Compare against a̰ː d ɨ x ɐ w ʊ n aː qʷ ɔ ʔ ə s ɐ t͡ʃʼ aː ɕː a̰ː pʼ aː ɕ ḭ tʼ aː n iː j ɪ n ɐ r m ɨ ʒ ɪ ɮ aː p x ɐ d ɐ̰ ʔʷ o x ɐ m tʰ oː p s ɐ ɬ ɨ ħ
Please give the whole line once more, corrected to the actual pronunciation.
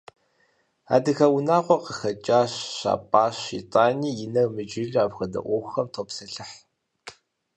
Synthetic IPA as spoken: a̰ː d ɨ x ɐ w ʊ n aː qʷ ɔ q ə x ɐ t͡ʃʼ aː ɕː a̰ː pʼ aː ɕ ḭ tʼ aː n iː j ɪ n ɐ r m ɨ d͡ʒ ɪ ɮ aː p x ɐ d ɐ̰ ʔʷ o x ɐ m tʰ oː p s ɐ ɬ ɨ ħ

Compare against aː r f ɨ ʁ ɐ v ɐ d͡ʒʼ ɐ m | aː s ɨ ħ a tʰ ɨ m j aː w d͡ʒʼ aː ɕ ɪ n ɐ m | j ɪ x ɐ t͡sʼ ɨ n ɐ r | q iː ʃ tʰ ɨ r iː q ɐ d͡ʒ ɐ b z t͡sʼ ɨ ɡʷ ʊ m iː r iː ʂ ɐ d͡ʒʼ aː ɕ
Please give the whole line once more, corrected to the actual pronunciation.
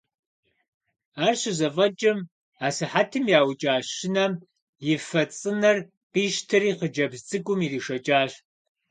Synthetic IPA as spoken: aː r ɕ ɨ z ɐ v ɐ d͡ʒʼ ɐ m | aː s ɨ ħ a tʰ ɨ m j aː w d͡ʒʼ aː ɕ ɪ n ɐ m | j ɪ f ɐ t͡sʼ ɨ n ɐ r | q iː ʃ tʰ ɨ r iː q ə d͡ʒ ɐ b z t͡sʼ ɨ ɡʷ ʊ m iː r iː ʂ ɐ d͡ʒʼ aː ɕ

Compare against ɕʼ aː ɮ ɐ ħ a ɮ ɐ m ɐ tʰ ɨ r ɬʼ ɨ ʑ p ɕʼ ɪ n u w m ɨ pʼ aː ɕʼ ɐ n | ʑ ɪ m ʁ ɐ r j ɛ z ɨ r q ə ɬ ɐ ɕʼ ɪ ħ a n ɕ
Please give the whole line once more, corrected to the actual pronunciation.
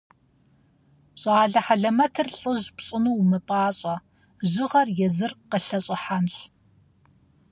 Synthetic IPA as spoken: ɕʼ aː ɮ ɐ ħ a ɮ ɐ m ɐ tʰ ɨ r ɬʼ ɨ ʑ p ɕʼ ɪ n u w m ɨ pʼ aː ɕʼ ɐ | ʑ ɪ ʁ ɐ r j ɛ z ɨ r q ə ɬ ɐ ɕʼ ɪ ħ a n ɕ

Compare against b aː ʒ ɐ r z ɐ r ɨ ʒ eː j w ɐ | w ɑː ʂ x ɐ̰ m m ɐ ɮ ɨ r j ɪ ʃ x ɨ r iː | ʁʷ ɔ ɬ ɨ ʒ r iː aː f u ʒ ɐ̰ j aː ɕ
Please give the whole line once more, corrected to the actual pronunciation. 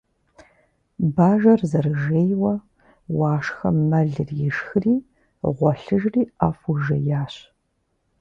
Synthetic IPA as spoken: b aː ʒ ɐ r z ɐ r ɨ ʒ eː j w ɐ | w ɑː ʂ x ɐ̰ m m ɐ ɮ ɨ r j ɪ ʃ x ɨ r iː | ʁʷ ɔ ɬ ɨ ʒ r iː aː f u ʒ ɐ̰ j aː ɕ

